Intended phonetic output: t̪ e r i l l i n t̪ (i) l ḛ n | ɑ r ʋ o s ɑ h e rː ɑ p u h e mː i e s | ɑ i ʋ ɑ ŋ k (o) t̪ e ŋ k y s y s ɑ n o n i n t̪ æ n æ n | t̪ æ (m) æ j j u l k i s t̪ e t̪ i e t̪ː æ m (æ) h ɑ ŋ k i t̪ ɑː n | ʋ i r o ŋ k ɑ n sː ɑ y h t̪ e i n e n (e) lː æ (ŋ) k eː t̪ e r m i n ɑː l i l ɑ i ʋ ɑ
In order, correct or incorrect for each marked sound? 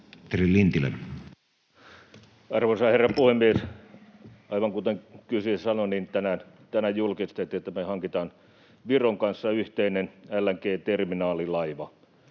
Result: correct, incorrect: u, incorrect: n, incorrect: e, incorrect: æ, correct

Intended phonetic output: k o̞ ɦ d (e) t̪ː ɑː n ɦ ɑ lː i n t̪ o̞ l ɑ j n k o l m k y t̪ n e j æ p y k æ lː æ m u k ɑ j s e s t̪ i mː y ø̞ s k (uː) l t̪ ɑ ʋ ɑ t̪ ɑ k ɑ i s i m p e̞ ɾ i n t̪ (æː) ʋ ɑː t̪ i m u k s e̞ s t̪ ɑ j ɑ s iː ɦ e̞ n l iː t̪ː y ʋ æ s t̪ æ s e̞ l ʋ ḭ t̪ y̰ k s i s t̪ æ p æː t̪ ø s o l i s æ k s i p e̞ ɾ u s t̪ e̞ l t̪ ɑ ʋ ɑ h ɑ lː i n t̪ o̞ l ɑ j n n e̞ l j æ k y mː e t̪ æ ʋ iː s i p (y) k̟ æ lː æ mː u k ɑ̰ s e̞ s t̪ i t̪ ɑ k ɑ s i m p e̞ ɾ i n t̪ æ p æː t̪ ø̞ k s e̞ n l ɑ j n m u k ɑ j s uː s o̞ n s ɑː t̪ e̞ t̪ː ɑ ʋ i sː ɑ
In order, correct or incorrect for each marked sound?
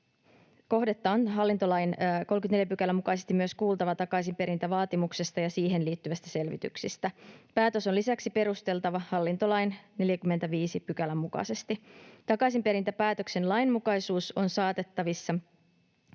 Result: correct, correct, incorrect: æ, correct

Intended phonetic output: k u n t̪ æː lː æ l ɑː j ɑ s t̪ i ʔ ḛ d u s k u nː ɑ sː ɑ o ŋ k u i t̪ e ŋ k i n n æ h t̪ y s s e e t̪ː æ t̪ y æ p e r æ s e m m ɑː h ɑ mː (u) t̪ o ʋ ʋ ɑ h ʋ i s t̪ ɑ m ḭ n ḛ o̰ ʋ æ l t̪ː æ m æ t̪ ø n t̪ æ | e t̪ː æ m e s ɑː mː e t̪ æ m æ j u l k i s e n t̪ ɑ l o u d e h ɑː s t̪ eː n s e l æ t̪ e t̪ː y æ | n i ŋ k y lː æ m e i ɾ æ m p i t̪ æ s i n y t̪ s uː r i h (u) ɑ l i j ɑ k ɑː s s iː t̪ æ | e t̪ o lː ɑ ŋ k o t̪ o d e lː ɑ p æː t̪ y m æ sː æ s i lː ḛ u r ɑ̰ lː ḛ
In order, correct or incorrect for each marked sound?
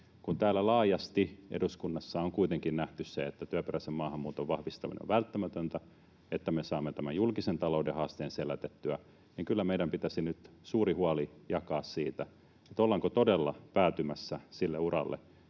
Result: incorrect: uː, correct

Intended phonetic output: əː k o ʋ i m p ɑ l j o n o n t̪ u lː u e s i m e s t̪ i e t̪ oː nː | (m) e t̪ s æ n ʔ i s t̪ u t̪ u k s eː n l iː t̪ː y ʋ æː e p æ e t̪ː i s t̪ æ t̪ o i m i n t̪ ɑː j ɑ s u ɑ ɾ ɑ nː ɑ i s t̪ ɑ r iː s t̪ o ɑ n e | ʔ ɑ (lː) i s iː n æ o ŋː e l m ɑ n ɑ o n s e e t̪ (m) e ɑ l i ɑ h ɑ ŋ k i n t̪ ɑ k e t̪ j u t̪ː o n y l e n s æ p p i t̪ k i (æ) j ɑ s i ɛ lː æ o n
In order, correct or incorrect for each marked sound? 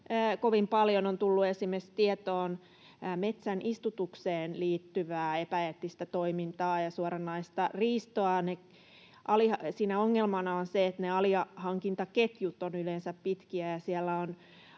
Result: correct, incorrect: l, incorrect: n, correct

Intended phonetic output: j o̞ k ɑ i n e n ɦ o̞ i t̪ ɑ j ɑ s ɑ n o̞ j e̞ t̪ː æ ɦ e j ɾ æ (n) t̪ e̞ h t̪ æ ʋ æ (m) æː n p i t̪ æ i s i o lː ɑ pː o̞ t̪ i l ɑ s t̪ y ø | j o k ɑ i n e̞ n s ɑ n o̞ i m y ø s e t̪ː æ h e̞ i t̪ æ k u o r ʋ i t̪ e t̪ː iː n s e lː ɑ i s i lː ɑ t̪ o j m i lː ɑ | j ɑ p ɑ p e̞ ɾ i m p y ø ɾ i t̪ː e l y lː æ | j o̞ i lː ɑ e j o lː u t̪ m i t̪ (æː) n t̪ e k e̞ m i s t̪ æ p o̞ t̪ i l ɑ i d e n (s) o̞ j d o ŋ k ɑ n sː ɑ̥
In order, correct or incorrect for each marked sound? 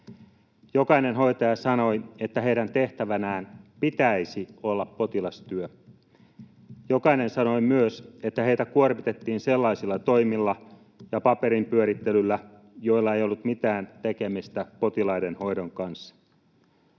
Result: correct, incorrect: n, correct, incorrect: h

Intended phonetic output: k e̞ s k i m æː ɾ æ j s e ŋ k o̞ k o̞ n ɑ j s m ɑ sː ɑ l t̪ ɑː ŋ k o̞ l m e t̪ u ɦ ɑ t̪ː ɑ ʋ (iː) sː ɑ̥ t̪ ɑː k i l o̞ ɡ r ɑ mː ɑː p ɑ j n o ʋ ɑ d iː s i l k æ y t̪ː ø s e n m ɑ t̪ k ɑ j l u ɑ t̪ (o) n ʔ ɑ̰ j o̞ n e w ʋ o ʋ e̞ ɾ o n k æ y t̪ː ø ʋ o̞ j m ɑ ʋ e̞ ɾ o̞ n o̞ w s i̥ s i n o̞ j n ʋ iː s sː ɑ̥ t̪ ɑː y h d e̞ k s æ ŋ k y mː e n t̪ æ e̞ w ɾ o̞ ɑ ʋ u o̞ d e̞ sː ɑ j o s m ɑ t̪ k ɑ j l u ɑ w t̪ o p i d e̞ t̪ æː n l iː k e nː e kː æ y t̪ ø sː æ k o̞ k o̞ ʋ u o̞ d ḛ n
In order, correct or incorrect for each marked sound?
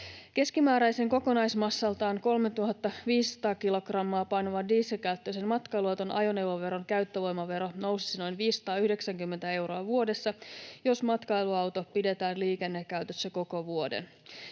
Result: correct, correct

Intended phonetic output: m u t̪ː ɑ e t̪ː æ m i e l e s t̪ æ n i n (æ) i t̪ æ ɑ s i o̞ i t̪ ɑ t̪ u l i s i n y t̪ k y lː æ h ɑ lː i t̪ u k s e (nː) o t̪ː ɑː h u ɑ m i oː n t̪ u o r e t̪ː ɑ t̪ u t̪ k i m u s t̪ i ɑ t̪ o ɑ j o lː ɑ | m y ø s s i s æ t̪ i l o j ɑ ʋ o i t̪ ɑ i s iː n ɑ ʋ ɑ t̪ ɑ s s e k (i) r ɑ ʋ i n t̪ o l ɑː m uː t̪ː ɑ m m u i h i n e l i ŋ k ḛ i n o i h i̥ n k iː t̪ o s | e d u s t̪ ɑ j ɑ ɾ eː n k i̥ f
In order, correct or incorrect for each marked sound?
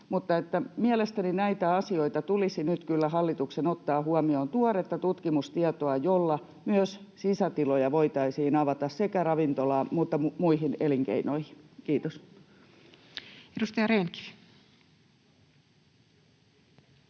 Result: correct, incorrect: n, incorrect: æ

